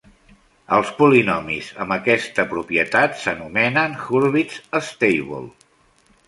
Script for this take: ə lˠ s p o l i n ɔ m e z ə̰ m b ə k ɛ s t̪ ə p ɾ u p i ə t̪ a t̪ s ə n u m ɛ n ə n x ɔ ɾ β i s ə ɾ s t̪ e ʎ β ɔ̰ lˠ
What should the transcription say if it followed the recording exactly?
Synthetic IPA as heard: ə lˠ s p u l i n ɔ m i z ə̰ m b ə k ɛ s t̪ ə p ɾ u p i ə t̪ a t̪ s ə n u m ɛ n ə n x u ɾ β i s ə s t̪ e j β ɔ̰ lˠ